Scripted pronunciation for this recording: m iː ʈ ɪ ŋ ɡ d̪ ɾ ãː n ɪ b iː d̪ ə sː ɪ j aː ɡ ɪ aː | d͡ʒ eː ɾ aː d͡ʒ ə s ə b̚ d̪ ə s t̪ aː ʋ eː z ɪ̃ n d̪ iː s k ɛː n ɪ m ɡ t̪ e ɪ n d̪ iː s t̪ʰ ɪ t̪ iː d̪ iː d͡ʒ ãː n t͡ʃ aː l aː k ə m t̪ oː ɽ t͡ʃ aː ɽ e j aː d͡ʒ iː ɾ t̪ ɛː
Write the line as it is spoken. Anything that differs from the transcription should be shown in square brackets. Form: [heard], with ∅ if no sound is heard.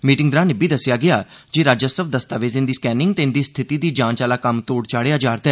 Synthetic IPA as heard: m iː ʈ ɪ ŋ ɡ d̪ ɾ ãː n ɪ b iː d̪ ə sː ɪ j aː ɡ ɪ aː | d͡ʒ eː ɾ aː d͡ʒ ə s ə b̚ d̪ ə s t̪ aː ʋ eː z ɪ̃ n d̪ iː s k ɛː n ɪ [ŋ] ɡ t̪ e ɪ n d̪ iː s t̪ʰ ɪ t̪ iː d̪ iː d͡ʒ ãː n t͡ʃ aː l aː k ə m t̪ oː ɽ t͡ʃ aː ɽ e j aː d͡ʒ [aː] ɾ t̪ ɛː